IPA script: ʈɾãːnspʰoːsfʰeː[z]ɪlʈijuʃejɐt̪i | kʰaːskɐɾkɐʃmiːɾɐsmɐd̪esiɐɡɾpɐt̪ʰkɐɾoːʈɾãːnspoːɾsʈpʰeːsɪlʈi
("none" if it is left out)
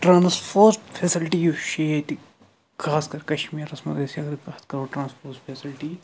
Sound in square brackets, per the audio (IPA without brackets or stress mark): s